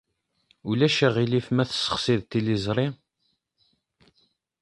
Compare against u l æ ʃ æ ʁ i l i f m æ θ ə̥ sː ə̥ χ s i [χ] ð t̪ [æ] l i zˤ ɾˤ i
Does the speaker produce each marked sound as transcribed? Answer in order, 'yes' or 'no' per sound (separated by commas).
no, no